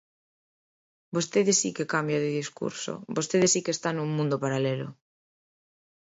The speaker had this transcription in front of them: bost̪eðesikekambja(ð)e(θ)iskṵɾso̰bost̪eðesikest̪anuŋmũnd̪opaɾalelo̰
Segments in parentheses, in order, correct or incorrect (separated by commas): correct, incorrect